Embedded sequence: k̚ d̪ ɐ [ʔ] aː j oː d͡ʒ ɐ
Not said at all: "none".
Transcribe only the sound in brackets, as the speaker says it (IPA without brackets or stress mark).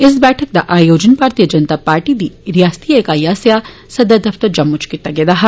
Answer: ʔ